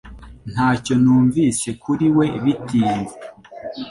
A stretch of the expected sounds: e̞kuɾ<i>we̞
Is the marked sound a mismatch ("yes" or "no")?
no